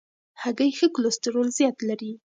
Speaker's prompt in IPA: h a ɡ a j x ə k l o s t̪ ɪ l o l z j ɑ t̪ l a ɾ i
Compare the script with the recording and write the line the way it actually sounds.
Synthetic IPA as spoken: h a ɡ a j x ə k l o s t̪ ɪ ɾ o l z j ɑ t̪ l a ɾ i